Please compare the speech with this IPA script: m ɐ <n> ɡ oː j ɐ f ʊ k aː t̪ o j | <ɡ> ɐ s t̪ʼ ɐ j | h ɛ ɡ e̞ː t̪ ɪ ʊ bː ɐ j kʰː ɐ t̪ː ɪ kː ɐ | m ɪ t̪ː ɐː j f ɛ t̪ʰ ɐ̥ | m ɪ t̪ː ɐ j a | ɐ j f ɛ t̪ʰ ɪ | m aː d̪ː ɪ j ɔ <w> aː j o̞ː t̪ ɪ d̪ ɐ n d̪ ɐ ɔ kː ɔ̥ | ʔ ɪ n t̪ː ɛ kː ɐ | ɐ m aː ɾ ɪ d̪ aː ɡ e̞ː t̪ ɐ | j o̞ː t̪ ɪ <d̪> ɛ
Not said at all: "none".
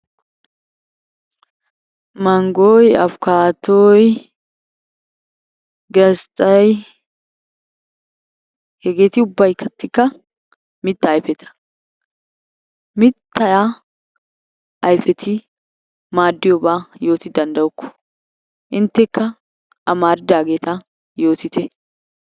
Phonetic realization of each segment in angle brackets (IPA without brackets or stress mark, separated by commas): ŋ, ɡ, b, t̪